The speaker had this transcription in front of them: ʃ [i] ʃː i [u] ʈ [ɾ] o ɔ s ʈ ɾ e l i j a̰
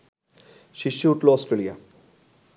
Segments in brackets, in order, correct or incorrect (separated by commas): correct, correct, incorrect